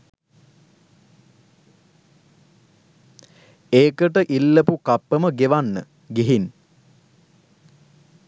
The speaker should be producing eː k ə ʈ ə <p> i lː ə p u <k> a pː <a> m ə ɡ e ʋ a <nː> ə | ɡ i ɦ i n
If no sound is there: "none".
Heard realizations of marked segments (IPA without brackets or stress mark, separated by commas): ʔ, k, ə, nː